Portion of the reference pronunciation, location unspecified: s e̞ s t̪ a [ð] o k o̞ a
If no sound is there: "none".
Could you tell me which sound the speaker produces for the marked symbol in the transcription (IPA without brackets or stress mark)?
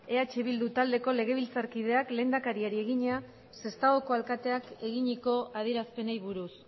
ɣ